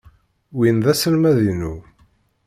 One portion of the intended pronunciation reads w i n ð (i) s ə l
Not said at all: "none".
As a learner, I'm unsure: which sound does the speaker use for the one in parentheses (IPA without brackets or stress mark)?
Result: æ